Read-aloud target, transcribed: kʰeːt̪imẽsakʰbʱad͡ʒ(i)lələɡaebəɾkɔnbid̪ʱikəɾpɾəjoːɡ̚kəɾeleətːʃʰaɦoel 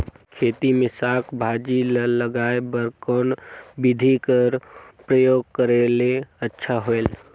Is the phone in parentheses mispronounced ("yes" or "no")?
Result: no